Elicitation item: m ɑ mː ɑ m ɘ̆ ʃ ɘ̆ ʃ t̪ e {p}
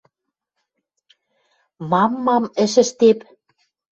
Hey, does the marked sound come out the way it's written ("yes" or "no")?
yes